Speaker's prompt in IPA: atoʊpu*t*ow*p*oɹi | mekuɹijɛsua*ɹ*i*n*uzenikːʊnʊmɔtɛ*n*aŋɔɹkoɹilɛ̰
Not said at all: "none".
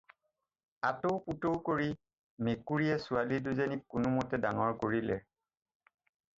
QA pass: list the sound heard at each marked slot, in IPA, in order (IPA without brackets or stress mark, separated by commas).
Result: t, k, l, d, d